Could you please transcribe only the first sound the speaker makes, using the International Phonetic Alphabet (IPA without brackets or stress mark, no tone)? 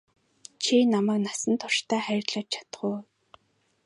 t͡ɕʰ